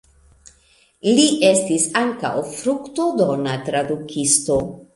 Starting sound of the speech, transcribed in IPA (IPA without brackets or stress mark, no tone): l